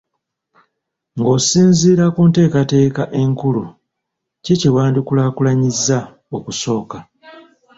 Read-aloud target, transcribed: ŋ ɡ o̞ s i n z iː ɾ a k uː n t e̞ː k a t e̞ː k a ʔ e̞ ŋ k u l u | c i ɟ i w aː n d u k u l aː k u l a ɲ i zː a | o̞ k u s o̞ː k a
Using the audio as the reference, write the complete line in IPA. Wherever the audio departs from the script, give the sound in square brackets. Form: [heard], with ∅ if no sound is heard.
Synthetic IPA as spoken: ŋ ɡ o̞ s [iː] n z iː ɾ a k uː n t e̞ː k a t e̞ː k a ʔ e̞ ŋ k u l u | c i [c] i w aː n d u k u l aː k u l a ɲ i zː a | o̞ k u s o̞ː k a